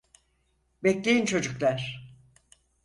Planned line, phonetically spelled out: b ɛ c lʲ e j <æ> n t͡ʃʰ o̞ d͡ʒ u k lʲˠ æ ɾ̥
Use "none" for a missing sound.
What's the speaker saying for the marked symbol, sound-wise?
i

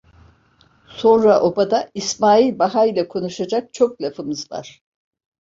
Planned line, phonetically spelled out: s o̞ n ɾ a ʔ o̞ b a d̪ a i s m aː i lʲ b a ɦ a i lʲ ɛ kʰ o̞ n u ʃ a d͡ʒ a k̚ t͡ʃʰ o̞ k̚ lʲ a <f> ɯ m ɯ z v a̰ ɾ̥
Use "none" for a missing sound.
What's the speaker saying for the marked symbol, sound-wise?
f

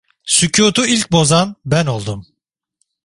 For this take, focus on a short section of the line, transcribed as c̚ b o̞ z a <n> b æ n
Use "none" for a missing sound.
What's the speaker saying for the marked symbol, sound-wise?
n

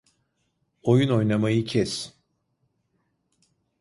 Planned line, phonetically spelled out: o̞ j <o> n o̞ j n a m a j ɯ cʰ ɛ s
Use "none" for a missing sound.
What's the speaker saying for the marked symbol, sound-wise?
u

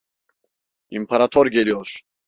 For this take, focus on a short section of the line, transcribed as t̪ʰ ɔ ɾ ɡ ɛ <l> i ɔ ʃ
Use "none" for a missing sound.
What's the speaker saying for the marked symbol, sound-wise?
l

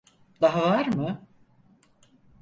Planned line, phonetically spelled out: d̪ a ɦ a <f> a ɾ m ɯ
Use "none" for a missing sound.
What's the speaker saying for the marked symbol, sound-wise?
v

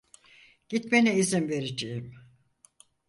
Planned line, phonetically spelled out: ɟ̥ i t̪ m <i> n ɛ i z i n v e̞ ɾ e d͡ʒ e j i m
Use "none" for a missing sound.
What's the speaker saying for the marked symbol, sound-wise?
e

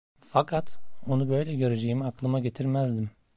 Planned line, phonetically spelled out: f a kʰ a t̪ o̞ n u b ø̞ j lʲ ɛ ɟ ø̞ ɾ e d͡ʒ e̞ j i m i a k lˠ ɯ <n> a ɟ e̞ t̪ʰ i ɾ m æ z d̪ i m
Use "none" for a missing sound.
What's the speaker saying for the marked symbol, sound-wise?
m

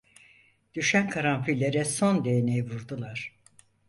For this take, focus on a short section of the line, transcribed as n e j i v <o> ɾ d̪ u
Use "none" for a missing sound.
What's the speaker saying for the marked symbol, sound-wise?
u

